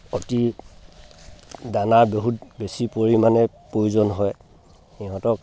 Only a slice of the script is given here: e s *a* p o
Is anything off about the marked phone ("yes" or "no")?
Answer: yes